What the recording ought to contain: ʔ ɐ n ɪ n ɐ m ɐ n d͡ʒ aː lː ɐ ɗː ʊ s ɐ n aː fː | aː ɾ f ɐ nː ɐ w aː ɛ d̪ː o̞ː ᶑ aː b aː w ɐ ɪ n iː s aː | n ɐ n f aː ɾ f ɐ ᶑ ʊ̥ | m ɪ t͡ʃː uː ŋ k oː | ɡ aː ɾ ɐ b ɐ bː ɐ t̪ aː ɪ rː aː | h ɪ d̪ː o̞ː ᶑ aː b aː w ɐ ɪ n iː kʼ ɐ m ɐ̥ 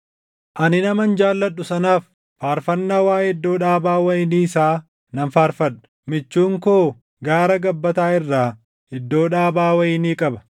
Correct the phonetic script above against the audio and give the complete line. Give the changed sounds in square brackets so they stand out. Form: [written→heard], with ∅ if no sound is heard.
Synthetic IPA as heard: ʔ ɐ n ɪ n ɐ m ɐ n d͡ʒ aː lː ɐ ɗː ʊ s ɐ n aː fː | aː ɾ f ɐ nː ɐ w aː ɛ d̪ː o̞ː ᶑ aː b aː w ɐ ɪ n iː s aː | n ɐ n f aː ɾ f ɐ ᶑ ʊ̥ | m ɪ t͡ʃː uː ŋ k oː | ɡ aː ɾ ɐ [b→ɡ] ɐ bː ɐ t̪ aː ɪ rː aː | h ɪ d̪ː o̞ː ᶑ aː b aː w ɐ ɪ n iː kʼ ɐ [m→b] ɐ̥